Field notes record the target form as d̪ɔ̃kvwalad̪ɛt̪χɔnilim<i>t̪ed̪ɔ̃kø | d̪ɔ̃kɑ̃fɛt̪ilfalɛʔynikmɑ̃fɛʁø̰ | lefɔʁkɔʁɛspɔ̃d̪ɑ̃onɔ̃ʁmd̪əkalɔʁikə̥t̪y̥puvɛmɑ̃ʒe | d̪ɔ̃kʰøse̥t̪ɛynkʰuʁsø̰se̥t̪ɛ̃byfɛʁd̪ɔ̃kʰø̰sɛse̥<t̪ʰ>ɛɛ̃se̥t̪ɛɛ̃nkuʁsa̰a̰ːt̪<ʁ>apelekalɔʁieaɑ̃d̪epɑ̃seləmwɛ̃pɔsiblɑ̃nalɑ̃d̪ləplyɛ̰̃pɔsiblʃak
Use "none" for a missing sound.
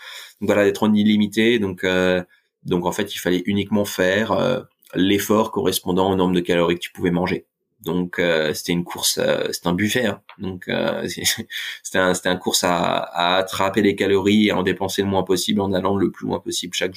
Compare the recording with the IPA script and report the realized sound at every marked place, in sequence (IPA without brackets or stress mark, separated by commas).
i, t̪, χ